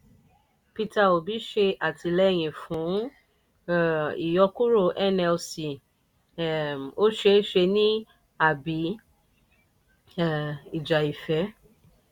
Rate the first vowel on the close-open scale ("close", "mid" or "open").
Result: close